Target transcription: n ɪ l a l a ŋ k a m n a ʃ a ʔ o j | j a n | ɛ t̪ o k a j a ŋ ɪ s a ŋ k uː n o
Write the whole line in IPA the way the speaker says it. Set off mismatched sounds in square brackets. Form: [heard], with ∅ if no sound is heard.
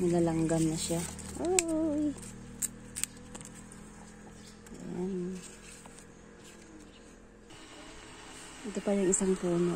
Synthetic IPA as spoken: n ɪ l a l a ŋ [ɡ] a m n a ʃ a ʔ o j | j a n | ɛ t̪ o [p] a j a ŋ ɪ s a ŋ [p] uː n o